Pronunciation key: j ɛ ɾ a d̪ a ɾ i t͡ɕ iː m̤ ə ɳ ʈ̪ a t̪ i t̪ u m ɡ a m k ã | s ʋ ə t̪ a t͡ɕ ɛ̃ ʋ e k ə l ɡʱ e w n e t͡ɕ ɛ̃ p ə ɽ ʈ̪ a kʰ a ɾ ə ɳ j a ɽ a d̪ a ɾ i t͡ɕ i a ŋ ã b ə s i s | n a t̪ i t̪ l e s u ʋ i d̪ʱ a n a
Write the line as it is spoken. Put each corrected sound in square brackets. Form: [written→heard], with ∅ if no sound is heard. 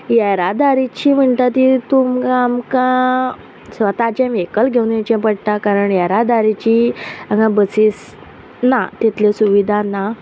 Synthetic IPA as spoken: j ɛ ɾ a d̪ a ɾ i t͡ɕ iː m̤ ə ɳ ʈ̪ a t̪ i t̪ u m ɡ a m k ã | s ʋ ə t̪ a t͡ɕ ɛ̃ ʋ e k ə l ɡʱ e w n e t͡ɕ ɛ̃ p ə ɽ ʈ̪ a [kʰ→k] a ɾ ə ɳ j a [ɽ→ɾ] a d̪ a ɾ i t͡ɕ i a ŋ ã b ə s i s | n a t̪ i t̪ l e s u ʋ i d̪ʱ a n a